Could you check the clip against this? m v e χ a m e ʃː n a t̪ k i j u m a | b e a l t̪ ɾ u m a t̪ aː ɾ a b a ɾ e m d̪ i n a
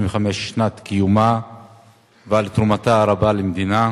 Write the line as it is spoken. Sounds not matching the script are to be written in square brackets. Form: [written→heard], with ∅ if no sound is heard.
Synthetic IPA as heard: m v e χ a m e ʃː n a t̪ k i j u m a | [b→v] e a l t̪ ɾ u m a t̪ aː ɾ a b a [ɾ→l] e m d̪ i n a

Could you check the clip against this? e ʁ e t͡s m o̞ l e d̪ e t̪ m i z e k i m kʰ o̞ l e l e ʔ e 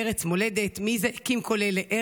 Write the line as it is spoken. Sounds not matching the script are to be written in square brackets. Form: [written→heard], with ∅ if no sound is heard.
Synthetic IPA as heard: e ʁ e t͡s m o̞ l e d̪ e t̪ m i z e k i m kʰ o̞ l e l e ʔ e

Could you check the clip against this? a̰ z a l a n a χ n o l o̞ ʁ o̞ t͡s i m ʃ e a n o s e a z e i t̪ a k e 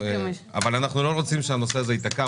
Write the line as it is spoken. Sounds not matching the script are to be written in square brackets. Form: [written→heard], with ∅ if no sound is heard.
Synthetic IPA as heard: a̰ [z→v] a l a n a χ n [o→u] l o̞ ʁ o̞ t͡s i m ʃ e a n o s e a z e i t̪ a k [e→a]

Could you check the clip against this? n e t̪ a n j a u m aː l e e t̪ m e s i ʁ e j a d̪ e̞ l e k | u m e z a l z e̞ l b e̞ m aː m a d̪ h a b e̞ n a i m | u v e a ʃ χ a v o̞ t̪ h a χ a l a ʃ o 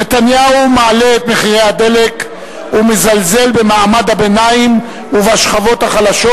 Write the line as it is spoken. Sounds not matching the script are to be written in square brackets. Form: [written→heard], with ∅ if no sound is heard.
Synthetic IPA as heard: n e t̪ a n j a u m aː l e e t̪ m e [s→χ] i ʁ e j a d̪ e̞ l e k | u m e z a l z e̞ l b e̞ m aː m a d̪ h a b e̞ n a i m | u v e a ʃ χ a v o̞ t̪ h a χ a l a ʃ o

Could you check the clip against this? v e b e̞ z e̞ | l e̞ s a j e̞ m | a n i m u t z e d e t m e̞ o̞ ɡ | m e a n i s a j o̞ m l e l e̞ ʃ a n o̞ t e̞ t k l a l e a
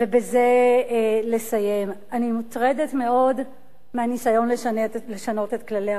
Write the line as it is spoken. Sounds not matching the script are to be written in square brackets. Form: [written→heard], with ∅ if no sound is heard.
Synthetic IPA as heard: v e b e̞ z e̞ | l e̞ s a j e̞ m | a n i m u t [z→ʁ] e d e t m e̞ o̞ [ɡ→d] | m e a n i s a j o̞ [m→n] l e l e̞ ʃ a n o̞ t e̞ t k l a l e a

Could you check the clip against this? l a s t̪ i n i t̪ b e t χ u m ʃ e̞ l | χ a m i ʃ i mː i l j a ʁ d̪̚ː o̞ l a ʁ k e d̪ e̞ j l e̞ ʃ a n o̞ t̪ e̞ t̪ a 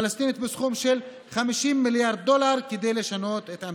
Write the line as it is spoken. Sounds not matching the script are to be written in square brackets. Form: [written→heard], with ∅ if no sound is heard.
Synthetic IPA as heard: l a s t̪ i n i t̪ b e [t→s] χ u m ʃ e̞ l | χ a m i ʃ i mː i l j a ʁ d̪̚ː o̞ l a ʁ k e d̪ e̞ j l e̞ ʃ a n o̞ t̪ e̞ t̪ a

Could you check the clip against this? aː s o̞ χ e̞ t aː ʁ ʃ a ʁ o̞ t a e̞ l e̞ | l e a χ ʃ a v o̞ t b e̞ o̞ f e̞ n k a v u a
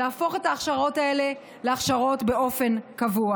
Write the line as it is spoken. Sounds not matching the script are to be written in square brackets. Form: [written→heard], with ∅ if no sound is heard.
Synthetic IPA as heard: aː [s→f] o̞ χ e̞ t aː [ʁ→χ] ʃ a ʁ o̞ t a e̞ l e̞ | l e a χ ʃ a [v→ʁ] o̞ t b e̞ o̞ f e̞ n k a v u a

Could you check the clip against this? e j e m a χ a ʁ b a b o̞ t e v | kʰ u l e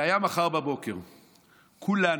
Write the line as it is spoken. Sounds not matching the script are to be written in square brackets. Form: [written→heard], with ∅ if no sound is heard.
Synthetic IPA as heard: [e→a] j [e→a] m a χ a ʁ b a b o̞ [t→k] e [v→ʁ] | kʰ u l [e→a]

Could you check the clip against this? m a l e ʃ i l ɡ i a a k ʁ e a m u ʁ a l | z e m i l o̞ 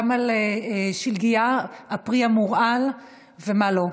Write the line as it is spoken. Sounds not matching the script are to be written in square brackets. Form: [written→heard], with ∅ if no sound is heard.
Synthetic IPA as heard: m a l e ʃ i l ɡ i a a [k→p] ʁ [e→i] a m u ʁ a l | [z→v] e m [i→a] l o̞

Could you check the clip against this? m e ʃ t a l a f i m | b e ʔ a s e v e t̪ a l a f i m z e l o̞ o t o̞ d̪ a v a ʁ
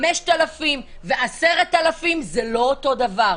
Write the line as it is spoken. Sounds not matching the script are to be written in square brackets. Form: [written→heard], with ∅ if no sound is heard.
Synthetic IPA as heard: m e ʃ t a l a f i m | [b→v] e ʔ a s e [v→ʁ] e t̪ a l a f i m z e l o̞ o t o̞ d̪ a v a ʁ

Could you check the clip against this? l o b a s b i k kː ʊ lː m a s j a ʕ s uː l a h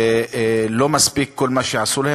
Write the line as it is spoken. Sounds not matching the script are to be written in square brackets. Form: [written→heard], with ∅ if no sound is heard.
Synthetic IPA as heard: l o [b→m] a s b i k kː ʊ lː m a [s→ʃ] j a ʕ s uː l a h

